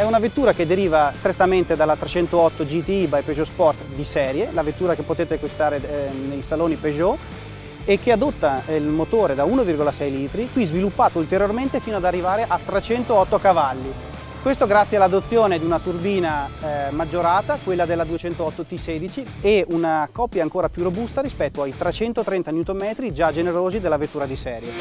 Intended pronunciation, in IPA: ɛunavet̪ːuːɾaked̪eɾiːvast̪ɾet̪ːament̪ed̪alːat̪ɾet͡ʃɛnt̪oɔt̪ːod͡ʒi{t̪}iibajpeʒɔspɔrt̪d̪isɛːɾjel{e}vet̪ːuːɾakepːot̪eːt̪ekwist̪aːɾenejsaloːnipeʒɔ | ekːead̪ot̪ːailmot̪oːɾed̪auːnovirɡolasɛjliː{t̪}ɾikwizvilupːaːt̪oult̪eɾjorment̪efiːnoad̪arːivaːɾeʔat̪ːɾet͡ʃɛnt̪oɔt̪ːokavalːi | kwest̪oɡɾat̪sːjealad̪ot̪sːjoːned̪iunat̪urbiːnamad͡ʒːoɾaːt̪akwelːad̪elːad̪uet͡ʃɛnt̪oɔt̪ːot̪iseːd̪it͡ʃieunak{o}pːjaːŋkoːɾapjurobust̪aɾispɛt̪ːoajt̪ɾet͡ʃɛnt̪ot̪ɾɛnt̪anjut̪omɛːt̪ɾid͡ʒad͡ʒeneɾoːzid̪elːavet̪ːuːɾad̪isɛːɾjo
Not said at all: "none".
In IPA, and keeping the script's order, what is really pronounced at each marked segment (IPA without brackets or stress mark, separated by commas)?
t̪, a, t̪, ɔ